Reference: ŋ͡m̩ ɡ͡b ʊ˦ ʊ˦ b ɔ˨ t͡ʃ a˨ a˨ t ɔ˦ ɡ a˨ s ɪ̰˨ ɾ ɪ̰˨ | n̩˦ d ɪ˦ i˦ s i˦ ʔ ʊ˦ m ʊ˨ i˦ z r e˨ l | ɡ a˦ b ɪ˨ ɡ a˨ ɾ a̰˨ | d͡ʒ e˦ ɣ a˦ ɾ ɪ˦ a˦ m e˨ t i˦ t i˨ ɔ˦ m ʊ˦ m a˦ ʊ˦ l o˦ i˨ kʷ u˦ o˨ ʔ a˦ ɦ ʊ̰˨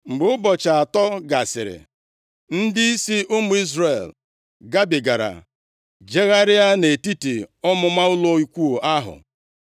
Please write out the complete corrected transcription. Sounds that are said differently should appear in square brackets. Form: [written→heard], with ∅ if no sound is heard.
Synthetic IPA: ŋ͡m̩ ɡ͡b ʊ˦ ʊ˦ b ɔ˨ t͡ʃ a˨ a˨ t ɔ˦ ɡ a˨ s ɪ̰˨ ɾ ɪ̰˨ | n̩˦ d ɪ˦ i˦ s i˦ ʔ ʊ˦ m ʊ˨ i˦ z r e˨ l | ɡ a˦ b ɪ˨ ɡ a˨ ɾ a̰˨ | d͡ʒ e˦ ɣ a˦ ɾ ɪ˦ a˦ [m→n] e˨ t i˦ t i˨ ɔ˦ m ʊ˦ m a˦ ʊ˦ l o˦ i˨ kʷ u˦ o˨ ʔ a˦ ɦ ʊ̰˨